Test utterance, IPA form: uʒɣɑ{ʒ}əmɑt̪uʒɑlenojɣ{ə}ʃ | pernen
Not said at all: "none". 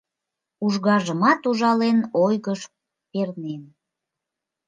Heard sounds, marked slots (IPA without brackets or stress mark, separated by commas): ʒ, ə